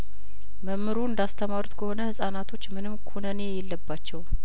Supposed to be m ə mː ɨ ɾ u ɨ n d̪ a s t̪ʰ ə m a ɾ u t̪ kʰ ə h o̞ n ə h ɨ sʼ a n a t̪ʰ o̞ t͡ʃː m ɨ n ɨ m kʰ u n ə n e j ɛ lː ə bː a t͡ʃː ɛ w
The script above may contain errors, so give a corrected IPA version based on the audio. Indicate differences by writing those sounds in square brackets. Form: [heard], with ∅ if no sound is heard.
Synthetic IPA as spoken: m ə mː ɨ ɾ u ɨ n d̪ a s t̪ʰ ə m a ɾ u t̪ kʰ ə h o̞ n ə h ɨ sʼ a n a t̪ʰ o̞ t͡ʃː m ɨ n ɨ m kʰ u n ə n e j ɛ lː ə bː a t͡ʃː ɛ w